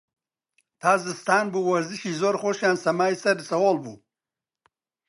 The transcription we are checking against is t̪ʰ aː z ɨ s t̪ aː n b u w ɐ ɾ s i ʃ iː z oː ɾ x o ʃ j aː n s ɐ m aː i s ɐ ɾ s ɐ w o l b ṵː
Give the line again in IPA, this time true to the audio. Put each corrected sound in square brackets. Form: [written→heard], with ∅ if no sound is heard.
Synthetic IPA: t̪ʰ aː z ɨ s t̪ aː n b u w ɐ ɾ [s→z] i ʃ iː z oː ɾ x o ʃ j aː n s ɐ m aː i s ɐ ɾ s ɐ w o l b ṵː